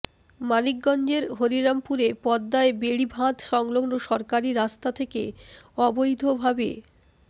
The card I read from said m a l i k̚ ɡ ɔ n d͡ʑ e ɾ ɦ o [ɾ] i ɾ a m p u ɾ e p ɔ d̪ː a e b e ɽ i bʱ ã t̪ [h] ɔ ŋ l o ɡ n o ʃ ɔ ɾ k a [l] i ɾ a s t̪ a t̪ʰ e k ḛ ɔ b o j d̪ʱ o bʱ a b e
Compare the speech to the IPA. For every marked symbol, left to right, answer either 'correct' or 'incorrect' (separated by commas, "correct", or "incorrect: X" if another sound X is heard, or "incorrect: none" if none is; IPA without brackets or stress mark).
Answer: correct, incorrect: ʃ, incorrect: ɾ